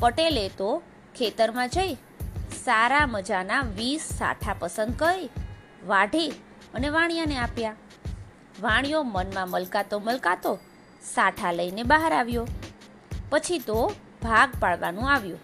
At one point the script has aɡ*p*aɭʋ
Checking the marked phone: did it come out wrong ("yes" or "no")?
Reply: no